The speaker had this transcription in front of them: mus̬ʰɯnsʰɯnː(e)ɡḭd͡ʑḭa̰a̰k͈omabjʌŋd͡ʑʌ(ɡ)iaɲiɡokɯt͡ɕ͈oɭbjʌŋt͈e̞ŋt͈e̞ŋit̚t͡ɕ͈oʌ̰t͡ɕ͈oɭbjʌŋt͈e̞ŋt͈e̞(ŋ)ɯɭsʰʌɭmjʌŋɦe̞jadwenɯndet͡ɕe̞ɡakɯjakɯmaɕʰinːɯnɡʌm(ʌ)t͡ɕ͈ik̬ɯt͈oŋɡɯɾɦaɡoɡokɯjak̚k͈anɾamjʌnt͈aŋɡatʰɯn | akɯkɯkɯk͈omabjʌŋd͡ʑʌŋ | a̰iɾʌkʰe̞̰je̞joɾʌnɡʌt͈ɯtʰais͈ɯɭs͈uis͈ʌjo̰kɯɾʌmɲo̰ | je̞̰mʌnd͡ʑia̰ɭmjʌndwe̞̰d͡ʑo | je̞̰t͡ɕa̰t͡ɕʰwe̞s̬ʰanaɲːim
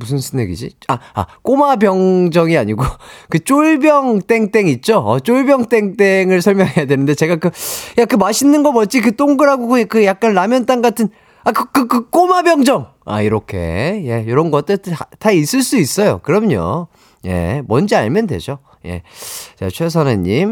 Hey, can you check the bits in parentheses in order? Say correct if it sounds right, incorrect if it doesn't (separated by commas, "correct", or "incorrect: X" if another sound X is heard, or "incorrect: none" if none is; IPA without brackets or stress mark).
correct, incorrect: ŋ, correct, correct